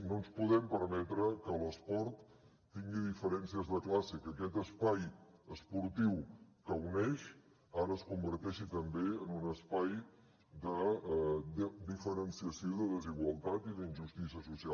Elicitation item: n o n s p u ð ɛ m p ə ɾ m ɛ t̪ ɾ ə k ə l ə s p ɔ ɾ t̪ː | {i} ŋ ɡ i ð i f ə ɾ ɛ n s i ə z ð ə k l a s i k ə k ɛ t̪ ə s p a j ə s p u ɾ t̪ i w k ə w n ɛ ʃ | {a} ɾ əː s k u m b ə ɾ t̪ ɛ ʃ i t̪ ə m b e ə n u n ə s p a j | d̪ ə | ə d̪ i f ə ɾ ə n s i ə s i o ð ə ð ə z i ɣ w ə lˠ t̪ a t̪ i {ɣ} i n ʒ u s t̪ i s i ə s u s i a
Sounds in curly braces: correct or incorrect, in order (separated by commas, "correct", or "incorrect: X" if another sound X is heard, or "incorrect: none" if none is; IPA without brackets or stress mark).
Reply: correct, correct, incorrect: ð